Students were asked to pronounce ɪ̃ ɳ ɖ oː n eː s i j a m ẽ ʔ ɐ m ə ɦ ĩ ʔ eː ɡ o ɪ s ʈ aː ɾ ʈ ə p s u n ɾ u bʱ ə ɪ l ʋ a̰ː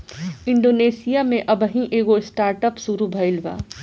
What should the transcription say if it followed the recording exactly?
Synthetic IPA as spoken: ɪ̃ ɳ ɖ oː n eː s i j a m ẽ ʔ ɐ b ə ɦ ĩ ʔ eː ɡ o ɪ s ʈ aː ɾ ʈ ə p s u ɾ u bʱ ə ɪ l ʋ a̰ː